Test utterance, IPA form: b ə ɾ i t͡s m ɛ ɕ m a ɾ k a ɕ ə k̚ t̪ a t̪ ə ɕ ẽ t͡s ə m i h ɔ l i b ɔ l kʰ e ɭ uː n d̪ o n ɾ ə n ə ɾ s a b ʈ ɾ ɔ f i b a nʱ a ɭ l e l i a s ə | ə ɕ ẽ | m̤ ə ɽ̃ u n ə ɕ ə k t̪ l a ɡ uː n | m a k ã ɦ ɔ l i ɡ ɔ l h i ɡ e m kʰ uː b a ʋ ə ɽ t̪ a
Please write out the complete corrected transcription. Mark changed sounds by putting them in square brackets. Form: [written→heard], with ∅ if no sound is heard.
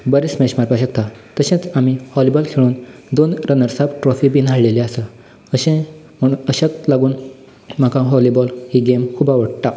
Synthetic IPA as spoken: b ə ɾ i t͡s m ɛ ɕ m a ɾ [k→p] a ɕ ə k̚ t̪ a t̪ ə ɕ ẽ t͡s [ə→a] m i h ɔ l i b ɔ l kʰ e ɭ uː n d̪ o n ɾ ə n ə ɾ s a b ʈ ɾ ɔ f i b [a→i] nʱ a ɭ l e l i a s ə | ə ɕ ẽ | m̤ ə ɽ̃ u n ə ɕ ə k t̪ l a ɡ uː n | m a k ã ɦ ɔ l i [ɡ→b] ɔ l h i ɡ e m kʰ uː b a ʋ ə ɽ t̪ a